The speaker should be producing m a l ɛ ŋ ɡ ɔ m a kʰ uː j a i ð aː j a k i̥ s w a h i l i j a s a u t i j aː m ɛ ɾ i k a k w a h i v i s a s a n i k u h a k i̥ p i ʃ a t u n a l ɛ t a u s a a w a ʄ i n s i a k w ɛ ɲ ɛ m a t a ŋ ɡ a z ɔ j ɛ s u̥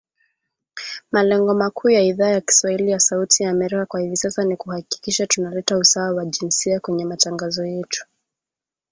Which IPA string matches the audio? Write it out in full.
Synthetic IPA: m a l ɛ ŋ ɡ ɔ m a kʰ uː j a i ð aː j a k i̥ s w a h i l i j a s a u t i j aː m ɛ ɾ i k a k w a h i v i s a s a n i k u h a k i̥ k i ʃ a t u n a l ɛ t a u s a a w a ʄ i n s i a k w ɛ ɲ ɛ m a t a ŋ ɡ a z ɔ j ɛ t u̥